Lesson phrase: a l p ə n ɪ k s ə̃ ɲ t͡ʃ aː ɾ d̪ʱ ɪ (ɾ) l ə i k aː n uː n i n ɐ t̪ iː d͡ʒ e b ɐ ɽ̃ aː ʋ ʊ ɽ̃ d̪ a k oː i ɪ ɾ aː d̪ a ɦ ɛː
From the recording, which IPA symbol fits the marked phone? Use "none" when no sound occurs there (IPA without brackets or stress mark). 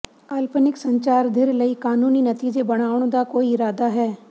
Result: ɾ